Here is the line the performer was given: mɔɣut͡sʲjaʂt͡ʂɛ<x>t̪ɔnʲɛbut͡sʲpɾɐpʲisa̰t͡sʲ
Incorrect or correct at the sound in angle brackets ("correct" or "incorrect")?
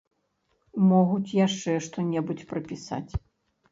incorrect